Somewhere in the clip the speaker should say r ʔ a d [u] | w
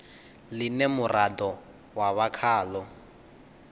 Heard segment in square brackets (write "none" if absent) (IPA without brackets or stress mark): ɔ